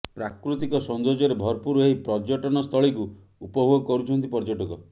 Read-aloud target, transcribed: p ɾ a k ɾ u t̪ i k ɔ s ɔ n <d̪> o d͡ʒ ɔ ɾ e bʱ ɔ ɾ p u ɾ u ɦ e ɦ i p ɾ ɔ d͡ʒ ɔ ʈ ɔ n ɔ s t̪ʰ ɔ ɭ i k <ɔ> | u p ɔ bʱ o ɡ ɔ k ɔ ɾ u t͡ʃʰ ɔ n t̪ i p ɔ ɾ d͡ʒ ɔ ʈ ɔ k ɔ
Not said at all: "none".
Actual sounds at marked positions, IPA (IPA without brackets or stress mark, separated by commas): d̪, u